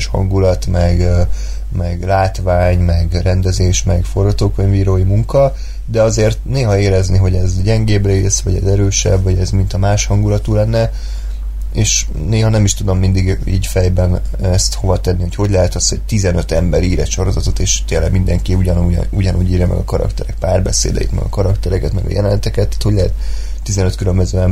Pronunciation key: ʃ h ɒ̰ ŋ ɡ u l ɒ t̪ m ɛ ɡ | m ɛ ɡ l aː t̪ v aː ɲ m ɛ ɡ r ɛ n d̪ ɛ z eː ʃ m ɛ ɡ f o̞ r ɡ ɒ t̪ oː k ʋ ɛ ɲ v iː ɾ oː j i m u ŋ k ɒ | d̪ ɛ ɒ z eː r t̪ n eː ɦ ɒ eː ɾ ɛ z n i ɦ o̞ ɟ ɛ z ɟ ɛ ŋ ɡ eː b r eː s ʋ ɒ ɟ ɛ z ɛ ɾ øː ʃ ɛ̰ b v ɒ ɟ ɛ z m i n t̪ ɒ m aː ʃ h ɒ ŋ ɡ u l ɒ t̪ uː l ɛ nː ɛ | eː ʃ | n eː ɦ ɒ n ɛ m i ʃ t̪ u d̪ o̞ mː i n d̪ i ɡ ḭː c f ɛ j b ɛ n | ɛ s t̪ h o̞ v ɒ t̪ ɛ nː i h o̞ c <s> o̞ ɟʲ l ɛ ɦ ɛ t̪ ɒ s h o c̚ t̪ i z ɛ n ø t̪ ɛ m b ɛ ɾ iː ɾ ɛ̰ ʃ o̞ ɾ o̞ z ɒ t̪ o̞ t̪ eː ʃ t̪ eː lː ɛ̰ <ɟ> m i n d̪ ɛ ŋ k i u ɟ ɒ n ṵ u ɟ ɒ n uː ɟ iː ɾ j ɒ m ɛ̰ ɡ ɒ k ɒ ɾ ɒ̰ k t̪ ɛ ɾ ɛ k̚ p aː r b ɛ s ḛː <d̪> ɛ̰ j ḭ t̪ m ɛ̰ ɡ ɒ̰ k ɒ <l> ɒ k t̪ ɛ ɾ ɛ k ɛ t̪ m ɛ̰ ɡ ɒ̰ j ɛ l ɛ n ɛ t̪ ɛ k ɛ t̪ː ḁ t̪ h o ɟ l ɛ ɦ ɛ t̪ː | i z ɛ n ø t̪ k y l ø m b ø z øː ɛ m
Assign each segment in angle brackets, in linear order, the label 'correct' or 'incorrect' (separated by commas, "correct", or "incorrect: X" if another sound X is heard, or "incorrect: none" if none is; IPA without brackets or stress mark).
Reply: incorrect: h, incorrect: ɡ, correct, incorrect: ɾ